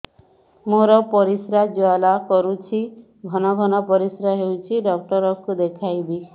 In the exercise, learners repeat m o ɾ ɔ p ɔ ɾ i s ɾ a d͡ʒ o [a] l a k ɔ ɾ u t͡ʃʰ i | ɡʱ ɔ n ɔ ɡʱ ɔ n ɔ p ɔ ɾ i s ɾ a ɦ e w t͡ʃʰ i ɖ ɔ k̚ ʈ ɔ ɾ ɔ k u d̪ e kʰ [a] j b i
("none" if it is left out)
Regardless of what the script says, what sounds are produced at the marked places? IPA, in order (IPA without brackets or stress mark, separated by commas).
a, a